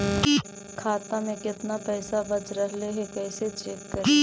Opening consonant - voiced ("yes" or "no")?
no